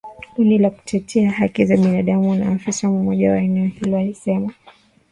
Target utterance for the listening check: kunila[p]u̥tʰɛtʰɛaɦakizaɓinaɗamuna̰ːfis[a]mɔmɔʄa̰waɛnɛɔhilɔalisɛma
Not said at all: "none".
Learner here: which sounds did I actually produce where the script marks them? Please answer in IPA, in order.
k, a

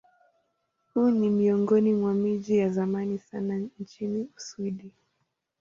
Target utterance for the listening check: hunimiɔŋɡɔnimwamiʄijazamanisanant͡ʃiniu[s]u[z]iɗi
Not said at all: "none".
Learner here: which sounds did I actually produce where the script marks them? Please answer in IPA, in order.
s, none

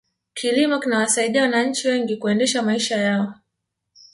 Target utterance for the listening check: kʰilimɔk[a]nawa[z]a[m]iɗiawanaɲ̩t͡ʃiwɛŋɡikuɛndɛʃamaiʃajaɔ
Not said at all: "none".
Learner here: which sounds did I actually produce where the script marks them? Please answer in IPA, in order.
i, s, none

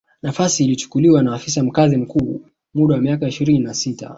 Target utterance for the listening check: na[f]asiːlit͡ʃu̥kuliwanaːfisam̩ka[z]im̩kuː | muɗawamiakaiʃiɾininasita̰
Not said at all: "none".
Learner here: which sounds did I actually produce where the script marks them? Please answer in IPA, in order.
f, z

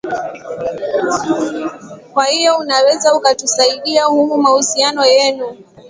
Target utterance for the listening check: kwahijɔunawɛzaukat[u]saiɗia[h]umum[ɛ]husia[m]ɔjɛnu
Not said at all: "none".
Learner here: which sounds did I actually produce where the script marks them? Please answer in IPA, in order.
u, h, a, n

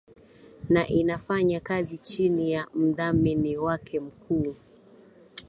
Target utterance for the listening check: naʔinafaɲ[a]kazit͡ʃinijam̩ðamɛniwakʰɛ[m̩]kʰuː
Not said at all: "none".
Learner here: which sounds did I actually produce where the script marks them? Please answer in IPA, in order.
a, m̩

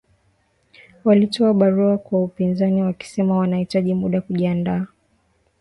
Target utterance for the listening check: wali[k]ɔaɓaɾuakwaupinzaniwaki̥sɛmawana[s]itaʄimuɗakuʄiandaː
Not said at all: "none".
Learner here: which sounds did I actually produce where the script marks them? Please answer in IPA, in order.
t, h

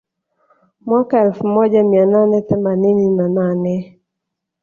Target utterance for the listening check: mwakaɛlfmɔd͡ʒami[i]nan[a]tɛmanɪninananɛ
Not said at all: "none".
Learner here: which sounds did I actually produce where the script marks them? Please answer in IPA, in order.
a, ɛ

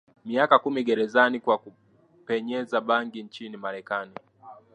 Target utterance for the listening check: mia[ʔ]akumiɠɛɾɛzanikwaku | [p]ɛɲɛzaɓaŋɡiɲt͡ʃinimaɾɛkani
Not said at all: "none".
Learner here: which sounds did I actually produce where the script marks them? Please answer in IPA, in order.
k, p

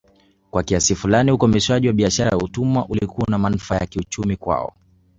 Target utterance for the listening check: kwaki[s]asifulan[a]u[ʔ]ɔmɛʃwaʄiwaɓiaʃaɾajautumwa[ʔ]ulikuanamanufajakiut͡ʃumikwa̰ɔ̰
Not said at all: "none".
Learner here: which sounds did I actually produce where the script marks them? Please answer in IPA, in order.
none, i, k, ʔ

